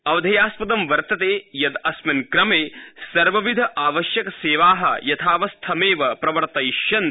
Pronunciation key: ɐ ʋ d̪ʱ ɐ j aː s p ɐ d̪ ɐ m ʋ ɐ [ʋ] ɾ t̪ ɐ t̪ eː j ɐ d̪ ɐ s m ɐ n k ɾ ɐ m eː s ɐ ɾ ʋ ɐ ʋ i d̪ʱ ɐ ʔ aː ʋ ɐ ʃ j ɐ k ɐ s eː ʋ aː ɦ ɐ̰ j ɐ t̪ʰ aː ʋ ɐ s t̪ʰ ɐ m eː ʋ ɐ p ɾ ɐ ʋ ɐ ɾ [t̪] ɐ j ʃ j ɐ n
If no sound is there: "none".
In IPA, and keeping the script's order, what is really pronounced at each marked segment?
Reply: none, t̪

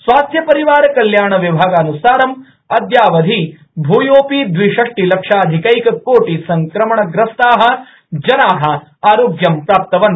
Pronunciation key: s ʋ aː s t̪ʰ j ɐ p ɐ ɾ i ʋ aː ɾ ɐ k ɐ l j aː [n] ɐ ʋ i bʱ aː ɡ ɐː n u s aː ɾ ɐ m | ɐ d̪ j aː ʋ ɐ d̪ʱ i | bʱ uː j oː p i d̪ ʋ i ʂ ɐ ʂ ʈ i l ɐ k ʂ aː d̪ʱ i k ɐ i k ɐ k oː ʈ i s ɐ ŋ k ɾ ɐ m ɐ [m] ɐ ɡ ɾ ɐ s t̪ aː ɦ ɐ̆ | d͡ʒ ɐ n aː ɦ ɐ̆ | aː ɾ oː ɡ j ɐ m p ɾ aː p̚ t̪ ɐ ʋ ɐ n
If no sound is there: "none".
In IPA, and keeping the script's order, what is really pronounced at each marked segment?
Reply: ɳ, ɳ

